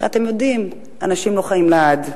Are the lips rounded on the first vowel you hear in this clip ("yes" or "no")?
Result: no